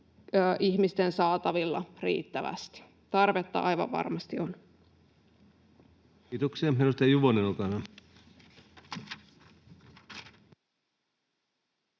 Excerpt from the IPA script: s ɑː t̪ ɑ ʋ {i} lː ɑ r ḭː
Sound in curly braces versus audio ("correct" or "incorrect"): correct